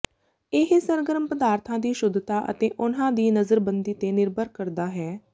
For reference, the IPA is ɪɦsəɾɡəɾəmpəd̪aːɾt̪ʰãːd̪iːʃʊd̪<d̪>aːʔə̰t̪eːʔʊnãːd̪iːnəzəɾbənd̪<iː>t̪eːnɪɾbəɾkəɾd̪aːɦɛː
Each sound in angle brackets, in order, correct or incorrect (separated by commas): incorrect, correct